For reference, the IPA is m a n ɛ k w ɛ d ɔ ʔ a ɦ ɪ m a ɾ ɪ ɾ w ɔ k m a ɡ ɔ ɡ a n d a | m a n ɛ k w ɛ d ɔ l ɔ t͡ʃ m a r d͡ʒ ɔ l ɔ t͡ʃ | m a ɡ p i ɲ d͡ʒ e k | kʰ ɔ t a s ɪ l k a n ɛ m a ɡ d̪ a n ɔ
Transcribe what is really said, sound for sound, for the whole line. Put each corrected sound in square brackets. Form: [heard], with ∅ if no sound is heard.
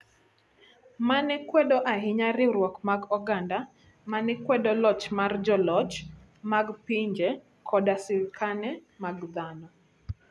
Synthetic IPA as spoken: m a n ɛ k w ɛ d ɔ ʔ a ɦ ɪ [ɲ] a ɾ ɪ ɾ w ɔ k m a ɡ ɔ ɡ a n d a | m a n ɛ k w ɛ d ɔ l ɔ t͡ʃ m a r d͡ʒ ɔ l ɔ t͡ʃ | m a ɡ p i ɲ d͡ʒ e [∅] | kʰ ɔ [d] a s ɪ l k a n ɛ m a ɡ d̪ a n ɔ